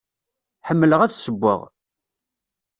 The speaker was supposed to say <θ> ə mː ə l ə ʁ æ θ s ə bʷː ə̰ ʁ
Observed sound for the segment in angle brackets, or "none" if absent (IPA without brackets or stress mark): ħ